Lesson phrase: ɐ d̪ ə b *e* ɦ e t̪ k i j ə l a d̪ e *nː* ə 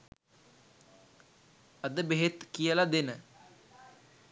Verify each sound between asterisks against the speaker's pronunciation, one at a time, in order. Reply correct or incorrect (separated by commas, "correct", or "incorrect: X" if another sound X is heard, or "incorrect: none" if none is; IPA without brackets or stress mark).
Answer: correct, incorrect: n